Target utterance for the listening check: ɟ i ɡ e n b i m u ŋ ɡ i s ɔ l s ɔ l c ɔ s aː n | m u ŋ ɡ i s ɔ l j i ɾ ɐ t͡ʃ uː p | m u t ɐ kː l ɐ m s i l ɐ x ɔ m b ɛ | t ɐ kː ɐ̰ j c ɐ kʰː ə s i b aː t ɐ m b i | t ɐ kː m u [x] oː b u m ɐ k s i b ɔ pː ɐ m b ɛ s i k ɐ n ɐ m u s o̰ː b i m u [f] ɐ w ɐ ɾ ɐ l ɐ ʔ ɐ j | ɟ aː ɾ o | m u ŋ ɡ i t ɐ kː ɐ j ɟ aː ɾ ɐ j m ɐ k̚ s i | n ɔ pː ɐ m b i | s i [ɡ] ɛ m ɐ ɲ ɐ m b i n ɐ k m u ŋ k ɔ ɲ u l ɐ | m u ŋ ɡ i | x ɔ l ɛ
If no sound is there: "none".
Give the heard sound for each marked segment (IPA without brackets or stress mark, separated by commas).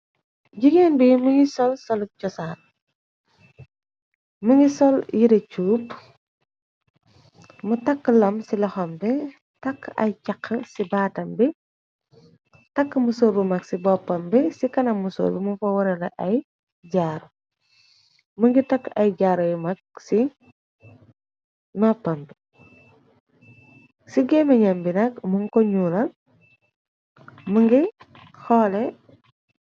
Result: s, f, ɡ